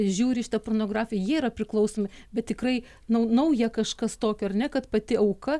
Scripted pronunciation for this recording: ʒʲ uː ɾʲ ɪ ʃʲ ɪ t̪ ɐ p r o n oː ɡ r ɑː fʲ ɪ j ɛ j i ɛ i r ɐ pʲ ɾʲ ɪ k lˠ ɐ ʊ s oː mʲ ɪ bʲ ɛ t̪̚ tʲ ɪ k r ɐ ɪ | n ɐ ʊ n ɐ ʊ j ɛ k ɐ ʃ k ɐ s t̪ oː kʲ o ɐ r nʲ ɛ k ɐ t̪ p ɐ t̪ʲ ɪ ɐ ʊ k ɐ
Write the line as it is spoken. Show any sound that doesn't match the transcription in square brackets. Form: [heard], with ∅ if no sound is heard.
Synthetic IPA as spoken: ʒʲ uː ɾʲ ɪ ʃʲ ɪ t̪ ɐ p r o n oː ɡ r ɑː fʲ ɪ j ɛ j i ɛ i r ɐ pʲ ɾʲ ɪ k lˠ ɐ ʊ s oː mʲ ɪ bʲ ɛ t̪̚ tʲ ɪ k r ɐ ɪ | n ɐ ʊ n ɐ ʊ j ɛ k ɐ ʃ k ɐ s t̪ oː kʲ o ɐ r nʲ ɛ k ɐ t̪ p ɐ t̪ʲ ɪ ɐ ʊ k ɐ

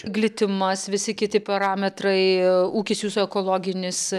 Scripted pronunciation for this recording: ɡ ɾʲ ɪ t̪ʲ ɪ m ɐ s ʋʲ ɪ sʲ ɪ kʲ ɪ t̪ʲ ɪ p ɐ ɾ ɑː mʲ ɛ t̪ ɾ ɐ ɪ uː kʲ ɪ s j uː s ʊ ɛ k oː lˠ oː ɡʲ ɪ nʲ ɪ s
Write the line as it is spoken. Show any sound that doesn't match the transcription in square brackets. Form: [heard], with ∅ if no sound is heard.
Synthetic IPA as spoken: ɡ [lʲ] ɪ t̪ʲ ɪ m ɐ s ʋʲ ɪ sʲ ɪ kʲ ɪ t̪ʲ ɪ p ɐ ɾ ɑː mʲ ɛ t̪ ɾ ɐ ɪ uː kʲ ɪ s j uː s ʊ ɛ k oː lˠ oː ɡʲ ɪ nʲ ɪ s

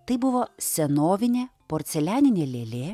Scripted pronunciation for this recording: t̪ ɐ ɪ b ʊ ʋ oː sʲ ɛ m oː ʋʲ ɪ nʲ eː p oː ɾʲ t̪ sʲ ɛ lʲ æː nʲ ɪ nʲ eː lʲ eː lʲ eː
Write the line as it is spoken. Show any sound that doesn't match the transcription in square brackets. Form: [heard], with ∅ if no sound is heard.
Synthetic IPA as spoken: t̪ ɐ ɪ b ʊ ʋ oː sʲ ɛ [n] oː ʋʲ ɪ nʲ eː p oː ɾʲ t̪ sʲ ɛ lʲ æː nʲ ɪ nʲ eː lʲ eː lʲ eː

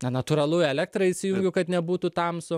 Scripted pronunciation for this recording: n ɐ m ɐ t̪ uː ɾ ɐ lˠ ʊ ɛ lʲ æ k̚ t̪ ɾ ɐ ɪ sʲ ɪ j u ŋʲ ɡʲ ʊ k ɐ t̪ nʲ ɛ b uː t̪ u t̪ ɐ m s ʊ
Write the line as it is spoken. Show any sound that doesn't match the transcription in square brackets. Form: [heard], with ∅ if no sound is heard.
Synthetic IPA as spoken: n ɐ [n] ɐ t̪ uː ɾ ɐ lˠ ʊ ɛ lʲ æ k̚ t̪ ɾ ɐ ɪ sʲ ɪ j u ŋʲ ɡʲ ʊ k ɐ t̪ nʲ ɛ b uː t̪ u t̪ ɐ m s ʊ

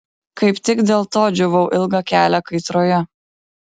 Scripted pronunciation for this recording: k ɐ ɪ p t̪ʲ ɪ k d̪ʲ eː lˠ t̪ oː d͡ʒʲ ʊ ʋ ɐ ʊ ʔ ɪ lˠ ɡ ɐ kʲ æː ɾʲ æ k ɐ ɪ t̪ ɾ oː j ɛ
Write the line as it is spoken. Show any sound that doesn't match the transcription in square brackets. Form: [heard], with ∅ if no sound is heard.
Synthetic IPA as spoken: k ɐ ɪ p t̪ʲ ɪ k d̪ʲ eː lˠ t̪ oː d͡ʒʲ ʊ ʋ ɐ ʊ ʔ ɪ lˠ ɡ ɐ kʲ æː [lʲ] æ k ɐ ɪ t̪ ɾ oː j ɛ

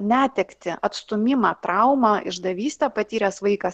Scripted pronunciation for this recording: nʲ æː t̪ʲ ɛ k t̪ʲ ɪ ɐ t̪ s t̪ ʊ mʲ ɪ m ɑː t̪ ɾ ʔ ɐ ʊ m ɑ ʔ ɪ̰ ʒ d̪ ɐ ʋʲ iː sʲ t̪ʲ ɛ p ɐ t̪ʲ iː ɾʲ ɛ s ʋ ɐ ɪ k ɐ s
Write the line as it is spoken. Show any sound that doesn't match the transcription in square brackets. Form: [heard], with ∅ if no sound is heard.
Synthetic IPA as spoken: nʲ æː t̪ʲ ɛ k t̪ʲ ɪ ɐ t̪ s t̪ ʊ mʲ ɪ m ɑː t̪ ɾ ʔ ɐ ʊ m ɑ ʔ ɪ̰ ʒ d̪ ɐ ʋʲ iː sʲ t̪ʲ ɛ p ɐ t̪ʲ iː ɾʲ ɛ s ʋ ɐ ɪ k ɐ s

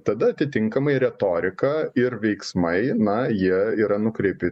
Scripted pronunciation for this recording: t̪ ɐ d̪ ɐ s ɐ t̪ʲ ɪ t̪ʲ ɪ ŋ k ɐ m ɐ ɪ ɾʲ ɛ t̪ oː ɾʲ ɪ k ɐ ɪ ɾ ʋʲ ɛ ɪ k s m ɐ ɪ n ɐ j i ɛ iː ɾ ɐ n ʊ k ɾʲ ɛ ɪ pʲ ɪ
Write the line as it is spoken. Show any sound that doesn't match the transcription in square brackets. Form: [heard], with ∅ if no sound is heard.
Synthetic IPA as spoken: t̪ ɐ d̪ ɐ [∅] ɐ t̪ʲ ɪ t̪ʲ ɪ ŋ k ɐ m ɐ ɪ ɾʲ ɛ t̪ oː ɾʲ ɪ k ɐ ɪ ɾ ʋʲ ɛ ɪ k s m ɐ ɪ n ɐ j i ɛ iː ɾ ɐ n ʊ k ɾʲ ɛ ɪ pʲ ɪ

